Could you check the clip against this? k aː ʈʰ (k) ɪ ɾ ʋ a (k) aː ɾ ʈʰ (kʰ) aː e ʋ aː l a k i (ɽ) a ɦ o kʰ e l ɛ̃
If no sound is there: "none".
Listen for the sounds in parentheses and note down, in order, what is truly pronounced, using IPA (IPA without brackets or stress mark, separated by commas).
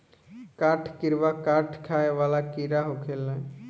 k, k, kʰ, ɾ